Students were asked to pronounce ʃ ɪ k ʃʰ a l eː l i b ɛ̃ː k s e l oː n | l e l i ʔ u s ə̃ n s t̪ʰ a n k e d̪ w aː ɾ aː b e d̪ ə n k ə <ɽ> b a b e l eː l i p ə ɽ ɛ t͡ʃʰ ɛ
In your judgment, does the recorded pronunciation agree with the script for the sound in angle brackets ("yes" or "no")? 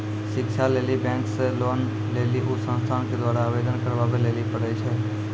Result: no